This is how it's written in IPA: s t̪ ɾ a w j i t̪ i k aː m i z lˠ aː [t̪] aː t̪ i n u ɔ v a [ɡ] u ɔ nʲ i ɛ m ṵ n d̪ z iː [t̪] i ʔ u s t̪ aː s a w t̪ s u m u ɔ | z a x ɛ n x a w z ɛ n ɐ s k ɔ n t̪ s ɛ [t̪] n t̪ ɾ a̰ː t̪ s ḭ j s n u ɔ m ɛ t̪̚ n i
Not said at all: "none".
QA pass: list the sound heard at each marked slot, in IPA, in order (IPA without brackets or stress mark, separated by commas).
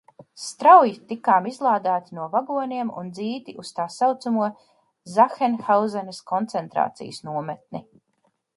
d̪, ɡ, t̪, none